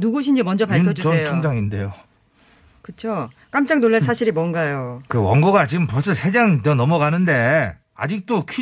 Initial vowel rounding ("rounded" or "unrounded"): rounded